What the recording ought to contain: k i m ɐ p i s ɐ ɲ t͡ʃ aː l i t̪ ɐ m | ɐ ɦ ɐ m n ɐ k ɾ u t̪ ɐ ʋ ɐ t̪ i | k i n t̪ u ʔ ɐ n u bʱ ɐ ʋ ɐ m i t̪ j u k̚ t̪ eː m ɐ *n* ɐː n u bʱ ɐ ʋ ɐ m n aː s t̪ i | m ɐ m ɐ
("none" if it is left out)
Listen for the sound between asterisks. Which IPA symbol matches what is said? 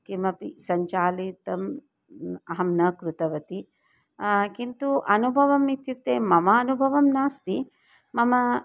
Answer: m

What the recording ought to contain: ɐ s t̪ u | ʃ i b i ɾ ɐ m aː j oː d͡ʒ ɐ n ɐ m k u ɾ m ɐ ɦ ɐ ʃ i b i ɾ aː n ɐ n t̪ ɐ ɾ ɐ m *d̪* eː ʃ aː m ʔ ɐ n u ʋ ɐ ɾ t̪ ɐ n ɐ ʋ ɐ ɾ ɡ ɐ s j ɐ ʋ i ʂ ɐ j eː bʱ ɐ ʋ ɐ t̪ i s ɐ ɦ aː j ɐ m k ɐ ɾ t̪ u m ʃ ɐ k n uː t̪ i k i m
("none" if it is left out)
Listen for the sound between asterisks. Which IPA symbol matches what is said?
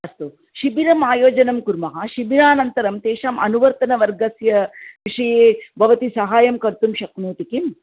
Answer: t̪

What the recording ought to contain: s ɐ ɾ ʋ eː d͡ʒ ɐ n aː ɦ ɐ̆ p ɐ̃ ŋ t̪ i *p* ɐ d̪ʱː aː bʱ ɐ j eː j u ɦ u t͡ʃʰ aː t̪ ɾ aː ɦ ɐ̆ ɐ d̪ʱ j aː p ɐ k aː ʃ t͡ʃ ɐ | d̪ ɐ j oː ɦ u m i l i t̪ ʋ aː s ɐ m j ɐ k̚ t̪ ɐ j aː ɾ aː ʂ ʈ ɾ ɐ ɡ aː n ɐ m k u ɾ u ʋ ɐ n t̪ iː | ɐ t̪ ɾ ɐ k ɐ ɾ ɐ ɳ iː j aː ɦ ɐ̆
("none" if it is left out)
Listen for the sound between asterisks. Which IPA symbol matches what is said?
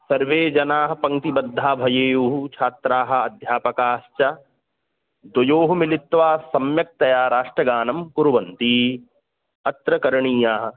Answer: b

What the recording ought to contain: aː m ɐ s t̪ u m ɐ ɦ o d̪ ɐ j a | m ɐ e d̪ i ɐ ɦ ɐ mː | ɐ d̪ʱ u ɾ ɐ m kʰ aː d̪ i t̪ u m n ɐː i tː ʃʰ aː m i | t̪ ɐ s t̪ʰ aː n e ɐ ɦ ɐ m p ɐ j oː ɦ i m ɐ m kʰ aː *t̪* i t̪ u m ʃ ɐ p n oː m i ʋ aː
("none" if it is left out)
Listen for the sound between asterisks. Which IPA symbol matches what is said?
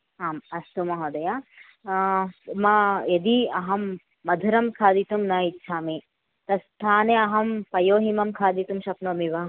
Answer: d̪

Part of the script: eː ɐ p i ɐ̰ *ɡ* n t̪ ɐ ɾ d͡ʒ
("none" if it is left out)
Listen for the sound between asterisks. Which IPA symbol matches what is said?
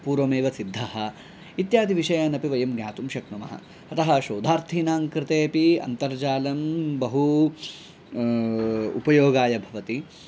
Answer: none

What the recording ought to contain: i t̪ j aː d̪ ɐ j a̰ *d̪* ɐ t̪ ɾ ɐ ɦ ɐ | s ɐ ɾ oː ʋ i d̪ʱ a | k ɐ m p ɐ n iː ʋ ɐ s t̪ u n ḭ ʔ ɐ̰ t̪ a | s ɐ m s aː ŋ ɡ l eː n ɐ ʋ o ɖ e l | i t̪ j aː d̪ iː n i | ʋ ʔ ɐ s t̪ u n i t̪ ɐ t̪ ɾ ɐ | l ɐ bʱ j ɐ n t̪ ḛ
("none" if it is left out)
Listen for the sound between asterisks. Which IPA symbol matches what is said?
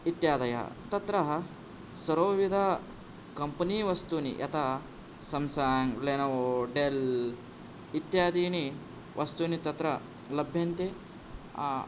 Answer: t̪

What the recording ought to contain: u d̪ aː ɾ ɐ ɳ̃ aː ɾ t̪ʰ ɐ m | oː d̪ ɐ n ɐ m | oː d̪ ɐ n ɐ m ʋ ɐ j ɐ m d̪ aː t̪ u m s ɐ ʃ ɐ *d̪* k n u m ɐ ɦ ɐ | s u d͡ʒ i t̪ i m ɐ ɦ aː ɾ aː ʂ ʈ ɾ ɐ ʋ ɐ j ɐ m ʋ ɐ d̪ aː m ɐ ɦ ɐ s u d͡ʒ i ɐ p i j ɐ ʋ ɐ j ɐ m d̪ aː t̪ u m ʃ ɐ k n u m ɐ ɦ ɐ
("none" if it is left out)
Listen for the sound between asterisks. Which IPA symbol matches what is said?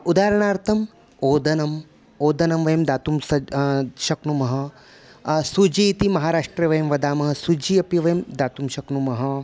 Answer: none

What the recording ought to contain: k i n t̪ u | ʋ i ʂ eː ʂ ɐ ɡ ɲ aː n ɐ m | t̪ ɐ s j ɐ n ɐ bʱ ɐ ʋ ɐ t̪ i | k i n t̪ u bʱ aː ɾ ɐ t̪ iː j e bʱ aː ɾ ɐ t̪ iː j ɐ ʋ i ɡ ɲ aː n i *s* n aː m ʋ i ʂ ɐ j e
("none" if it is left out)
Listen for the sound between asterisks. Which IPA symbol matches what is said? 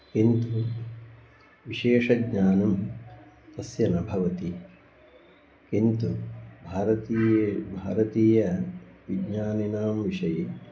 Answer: none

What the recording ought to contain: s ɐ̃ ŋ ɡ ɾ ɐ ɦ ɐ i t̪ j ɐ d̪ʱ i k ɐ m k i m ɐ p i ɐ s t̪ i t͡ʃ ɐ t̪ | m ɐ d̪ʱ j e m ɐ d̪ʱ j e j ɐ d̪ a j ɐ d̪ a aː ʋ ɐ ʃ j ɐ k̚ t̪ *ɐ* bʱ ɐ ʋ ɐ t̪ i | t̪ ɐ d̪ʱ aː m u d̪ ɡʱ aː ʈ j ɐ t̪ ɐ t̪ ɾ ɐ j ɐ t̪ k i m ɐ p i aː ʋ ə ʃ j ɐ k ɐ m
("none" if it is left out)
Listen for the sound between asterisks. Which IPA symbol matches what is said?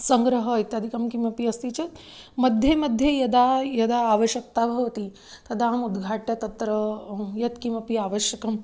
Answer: a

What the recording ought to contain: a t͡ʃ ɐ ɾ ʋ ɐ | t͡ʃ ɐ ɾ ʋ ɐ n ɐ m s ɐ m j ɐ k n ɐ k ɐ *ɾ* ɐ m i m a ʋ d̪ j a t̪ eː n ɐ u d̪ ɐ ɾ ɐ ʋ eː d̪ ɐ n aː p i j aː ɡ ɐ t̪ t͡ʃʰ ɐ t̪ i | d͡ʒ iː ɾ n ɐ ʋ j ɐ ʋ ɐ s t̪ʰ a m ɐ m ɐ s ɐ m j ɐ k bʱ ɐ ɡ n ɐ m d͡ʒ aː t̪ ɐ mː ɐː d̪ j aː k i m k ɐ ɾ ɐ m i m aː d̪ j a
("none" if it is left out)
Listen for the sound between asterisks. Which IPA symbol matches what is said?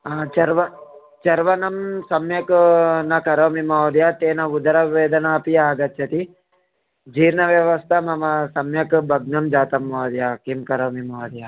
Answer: ɾ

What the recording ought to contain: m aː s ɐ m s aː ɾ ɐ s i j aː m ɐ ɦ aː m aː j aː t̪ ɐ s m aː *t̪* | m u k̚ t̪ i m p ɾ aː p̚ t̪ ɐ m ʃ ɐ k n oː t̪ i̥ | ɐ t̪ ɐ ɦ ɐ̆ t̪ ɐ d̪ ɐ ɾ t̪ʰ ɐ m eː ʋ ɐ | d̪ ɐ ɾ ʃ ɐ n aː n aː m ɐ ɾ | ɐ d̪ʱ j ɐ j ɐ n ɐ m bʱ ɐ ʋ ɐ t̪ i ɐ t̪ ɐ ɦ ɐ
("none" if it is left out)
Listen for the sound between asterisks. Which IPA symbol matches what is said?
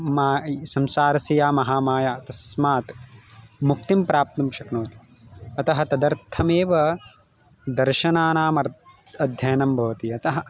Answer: t̪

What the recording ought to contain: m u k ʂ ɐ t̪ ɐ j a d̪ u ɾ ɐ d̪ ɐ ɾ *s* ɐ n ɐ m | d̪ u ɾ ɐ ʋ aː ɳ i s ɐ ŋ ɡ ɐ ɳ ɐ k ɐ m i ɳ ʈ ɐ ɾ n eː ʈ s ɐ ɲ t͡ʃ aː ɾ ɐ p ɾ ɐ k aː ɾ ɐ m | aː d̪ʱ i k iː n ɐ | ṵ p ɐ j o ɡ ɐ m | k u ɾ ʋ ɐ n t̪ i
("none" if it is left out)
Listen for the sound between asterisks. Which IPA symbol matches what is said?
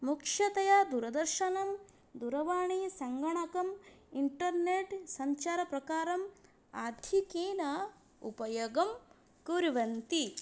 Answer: ʃ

